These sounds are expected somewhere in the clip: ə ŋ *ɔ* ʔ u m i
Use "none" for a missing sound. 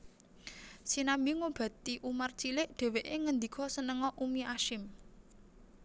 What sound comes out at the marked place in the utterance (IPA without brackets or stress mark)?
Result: ɔ